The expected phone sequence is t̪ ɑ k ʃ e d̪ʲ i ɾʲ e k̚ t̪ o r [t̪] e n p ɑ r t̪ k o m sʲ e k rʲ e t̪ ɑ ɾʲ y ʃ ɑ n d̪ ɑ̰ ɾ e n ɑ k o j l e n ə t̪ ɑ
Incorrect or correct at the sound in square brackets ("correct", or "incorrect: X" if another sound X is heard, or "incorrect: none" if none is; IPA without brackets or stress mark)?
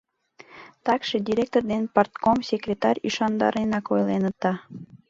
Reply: incorrect: d̪